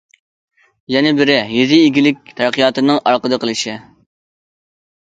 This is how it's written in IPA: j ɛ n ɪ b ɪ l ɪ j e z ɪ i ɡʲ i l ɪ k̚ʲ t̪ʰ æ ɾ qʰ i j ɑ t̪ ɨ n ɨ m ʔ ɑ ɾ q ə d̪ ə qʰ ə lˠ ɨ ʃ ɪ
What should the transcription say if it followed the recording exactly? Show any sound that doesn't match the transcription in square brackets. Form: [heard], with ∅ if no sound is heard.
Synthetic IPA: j ɛ n ɪ b ɪ [ɾ] ɪ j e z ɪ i ɡʲ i l ɪ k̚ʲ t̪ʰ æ ɾ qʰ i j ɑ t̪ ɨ n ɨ [ŋ] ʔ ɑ ɾ q ə d̪ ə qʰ ə lˠ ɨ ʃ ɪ